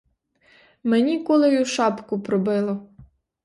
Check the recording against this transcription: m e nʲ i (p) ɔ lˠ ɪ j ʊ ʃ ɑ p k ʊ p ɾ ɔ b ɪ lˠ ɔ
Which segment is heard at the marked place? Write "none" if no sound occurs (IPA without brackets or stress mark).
k